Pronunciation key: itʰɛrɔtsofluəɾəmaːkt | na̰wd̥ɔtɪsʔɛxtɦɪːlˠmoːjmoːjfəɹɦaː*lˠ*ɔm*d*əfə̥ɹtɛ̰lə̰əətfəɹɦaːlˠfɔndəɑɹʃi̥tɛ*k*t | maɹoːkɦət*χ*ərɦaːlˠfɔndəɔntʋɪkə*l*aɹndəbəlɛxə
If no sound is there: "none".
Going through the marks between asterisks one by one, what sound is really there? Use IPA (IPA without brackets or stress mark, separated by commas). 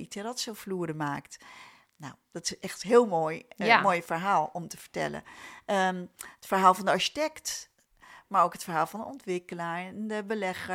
lˠ, t, k, f, l